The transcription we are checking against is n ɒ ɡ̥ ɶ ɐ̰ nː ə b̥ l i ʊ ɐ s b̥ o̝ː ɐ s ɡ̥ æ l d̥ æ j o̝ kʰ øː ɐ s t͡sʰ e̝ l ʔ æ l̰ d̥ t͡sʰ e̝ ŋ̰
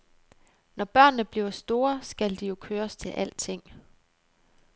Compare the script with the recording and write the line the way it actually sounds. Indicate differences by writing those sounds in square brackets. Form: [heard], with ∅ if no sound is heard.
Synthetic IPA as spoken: n ɒ [b̥] ɶ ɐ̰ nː ə b̥ l i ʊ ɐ s [d̥] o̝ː ɐ s ɡ̥ æ l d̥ [i] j o̝ kʰ øː ɐ s t͡sʰ e̝ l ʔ æ l̰ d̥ t͡sʰ e̝ ŋ̰